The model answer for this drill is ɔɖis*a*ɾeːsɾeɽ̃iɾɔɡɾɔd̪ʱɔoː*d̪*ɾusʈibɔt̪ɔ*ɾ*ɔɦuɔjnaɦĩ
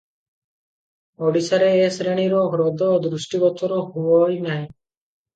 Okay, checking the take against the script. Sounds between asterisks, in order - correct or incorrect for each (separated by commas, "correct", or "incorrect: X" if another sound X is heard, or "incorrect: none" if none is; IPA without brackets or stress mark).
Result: correct, correct, correct